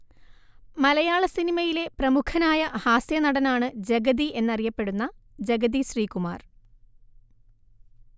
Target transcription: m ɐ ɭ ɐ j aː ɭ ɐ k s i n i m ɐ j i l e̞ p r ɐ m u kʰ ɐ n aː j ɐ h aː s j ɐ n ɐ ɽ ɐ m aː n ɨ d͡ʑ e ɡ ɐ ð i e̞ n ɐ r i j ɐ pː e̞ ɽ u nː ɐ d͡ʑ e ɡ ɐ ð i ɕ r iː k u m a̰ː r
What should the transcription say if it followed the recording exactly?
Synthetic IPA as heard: m ɐ l ɐ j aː ɭ ɐ s i n i m ɐ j i l e̞ p r ɐ m u kʰ ɐ n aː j ɐ h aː s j ɐ n ɐ ɽ ɐ n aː ɳ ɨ d͡ʑ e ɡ ɐ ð i e̞ nː ɐ r i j ɐ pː e̞ ɽ u nː ɐ d͡ʑ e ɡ ɐ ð i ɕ r iː k u m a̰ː r